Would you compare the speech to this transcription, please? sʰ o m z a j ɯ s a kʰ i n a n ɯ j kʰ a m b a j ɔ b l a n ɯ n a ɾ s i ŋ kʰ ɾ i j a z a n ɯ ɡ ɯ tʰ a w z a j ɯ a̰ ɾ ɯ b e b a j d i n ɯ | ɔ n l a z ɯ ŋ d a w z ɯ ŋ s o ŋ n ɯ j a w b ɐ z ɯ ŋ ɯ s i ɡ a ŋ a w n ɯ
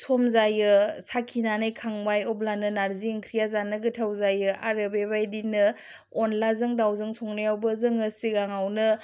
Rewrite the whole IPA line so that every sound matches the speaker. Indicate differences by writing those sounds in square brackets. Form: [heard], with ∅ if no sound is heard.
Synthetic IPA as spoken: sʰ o m z a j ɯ s a kʰ i n a n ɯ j kʰ a [ŋ] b a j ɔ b l a n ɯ n a ɾ [z] i ŋ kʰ ɾ i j a z a n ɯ ɡ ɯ tʰ a w z a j ɯ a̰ ɾ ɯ b e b a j d i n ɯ | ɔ n l a z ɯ ŋ d a w z ɯ ŋ s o ŋ n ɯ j a w b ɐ z ɯ ŋ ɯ s i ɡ a ŋ a w n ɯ